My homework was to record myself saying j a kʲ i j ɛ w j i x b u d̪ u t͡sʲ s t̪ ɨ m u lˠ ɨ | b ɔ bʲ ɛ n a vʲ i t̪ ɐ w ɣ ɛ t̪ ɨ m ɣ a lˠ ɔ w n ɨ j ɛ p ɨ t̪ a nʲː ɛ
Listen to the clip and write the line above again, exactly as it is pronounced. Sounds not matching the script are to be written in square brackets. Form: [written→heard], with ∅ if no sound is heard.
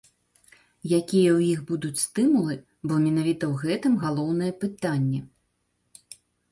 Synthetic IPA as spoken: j a kʲ i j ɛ w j i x b u d̪ u t͡sʲ s t̪ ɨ m u lˠ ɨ | b ɔ [bʲ→mʲ] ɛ n a vʲ i t̪ ɐ w ɣ ɛ t̪ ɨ m ɣ a lˠ ɔ w n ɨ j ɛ p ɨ t̪ a nʲː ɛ